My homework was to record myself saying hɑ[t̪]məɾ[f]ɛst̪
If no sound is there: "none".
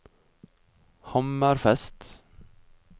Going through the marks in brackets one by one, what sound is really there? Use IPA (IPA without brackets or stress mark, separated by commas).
none, f